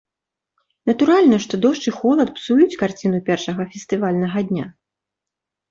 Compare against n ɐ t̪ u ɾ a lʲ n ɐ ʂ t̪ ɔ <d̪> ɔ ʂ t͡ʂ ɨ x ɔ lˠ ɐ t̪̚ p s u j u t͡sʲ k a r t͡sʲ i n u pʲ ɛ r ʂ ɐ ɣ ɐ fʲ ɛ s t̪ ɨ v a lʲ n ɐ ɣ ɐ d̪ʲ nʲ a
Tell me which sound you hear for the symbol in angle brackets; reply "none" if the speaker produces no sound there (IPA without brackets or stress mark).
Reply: d̪